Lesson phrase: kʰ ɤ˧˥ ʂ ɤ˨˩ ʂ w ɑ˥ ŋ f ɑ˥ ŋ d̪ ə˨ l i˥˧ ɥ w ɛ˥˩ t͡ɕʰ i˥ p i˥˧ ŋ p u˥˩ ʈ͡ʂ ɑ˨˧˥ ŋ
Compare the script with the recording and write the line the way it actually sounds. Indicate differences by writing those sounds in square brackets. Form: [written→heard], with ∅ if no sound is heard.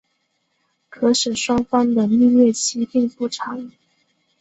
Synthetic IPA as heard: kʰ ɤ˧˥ ʂ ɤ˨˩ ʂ w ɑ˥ ŋ f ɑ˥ ŋ d̪ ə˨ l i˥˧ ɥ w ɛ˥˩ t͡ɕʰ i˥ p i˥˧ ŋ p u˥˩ [ʈ͡ʂ→ʈ͡ʂʰ] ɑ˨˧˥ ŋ